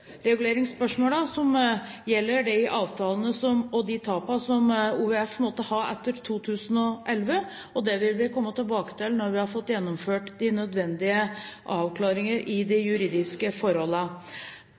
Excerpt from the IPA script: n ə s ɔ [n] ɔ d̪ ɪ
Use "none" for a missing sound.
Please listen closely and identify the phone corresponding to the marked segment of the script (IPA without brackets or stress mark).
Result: m